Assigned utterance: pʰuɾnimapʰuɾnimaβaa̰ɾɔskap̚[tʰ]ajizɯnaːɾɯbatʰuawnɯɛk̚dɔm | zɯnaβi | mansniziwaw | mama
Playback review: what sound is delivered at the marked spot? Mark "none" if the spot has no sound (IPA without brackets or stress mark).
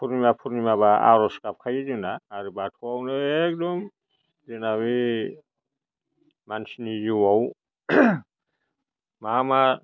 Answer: kʰ